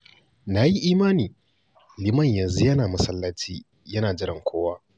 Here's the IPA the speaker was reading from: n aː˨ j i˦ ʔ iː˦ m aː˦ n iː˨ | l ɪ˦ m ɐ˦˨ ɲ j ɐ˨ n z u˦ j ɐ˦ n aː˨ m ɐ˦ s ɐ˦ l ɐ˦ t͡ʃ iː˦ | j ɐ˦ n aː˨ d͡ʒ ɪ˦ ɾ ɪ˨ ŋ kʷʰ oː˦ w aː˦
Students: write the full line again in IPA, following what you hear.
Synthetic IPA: n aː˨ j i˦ ʔ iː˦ m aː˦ n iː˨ | l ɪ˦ m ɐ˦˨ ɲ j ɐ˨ n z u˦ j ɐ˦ n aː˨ m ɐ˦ s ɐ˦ lː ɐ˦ t͡ʃ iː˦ | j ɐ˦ n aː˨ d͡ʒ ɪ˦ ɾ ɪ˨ ŋ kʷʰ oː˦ w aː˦